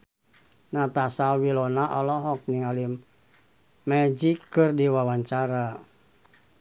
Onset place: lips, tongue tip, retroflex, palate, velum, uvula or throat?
tongue tip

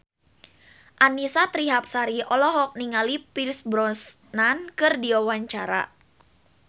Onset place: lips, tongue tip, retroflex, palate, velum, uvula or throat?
throat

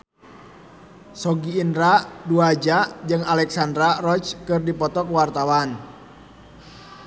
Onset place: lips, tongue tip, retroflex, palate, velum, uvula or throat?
tongue tip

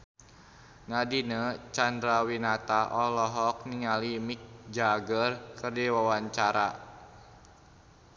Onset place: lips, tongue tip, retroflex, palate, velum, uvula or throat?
tongue tip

